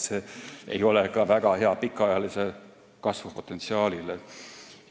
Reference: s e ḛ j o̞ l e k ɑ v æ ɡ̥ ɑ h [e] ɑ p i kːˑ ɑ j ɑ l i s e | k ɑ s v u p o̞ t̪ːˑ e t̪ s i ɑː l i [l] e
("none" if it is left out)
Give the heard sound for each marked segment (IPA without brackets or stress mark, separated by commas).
e, l